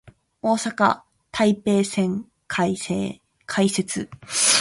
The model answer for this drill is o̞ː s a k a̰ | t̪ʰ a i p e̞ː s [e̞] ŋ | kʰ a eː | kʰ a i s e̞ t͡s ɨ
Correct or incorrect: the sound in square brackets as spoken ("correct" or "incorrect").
incorrect